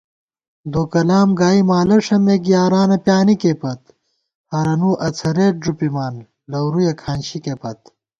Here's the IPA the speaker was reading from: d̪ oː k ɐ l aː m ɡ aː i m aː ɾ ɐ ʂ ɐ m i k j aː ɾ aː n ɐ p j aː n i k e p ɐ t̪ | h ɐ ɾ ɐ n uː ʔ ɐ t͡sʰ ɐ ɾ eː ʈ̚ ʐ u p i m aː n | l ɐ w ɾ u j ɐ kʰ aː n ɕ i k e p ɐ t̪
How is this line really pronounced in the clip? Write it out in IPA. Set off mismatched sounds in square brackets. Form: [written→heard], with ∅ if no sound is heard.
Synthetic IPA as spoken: d̪ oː k ɐ l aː m ɡ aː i m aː [ɾ→l] ɐ ʂ ɐ m [i→e] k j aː ɾ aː n ɐ p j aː n i k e p ɐ t̪ | h ɐ ɾ ɐ n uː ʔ ɐ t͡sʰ ɐ ɾ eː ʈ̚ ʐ u p i m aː n | l ɐ w ɾ u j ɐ kʰ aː n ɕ i k e p ɐ t̪